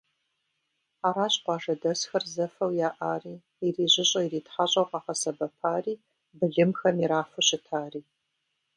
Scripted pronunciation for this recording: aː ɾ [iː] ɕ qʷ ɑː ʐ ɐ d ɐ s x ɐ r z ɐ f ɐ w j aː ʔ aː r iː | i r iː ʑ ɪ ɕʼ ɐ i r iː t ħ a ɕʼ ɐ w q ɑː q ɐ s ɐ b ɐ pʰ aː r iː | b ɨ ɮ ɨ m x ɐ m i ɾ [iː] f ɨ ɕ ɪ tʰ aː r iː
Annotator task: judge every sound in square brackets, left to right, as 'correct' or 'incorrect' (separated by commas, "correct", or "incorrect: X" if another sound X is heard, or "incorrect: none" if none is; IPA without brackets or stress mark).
incorrect: aː, incorrect: aː